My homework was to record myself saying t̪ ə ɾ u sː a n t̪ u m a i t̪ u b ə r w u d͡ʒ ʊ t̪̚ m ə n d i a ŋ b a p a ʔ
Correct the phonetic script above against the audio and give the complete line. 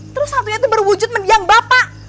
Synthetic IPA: t̪ ə ɾ ʊ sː a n t̪ u ɲ a i t̪ u b ə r w u d͡ʒ ʊ t̪̚ m ə n d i a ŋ b a p a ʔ